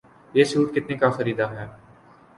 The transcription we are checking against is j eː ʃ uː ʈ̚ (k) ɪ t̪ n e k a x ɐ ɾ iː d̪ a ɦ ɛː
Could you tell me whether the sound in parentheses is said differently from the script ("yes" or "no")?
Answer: no